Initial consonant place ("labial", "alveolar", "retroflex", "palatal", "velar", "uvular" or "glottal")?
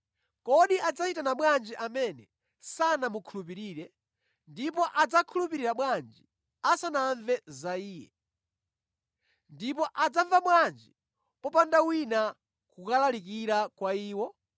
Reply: velar